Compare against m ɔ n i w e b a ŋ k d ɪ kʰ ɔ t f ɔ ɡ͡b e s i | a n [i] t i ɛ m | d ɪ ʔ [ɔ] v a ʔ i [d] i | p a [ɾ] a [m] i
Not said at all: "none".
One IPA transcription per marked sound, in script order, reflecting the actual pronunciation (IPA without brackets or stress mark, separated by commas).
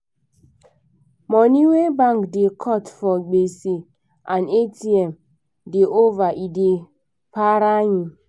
e, o, d, ɾ, ɲ